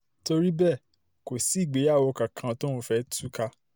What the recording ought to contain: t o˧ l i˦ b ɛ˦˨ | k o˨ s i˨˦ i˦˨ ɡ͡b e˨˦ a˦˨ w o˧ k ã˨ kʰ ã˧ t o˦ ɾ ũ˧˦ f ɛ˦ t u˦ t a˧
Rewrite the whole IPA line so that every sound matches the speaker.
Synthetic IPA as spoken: t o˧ ɾ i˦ b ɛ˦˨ | k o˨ s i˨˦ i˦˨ ɡ͡b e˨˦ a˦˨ w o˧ k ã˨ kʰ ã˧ t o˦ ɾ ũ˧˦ f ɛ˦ t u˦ k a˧